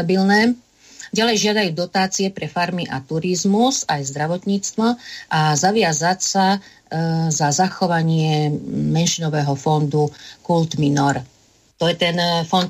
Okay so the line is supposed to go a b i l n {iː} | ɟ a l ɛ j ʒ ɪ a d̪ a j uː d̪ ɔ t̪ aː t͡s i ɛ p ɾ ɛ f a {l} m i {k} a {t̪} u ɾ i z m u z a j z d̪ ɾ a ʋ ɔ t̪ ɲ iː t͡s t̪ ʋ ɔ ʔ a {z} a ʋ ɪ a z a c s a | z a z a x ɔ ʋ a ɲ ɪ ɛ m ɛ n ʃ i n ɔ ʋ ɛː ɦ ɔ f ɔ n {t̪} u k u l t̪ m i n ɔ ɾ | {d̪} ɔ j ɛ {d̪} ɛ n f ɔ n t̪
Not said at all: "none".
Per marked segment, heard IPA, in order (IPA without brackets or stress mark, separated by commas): ɛː, ɾ, ʔ, t̪, z, d̪, t̪, t̪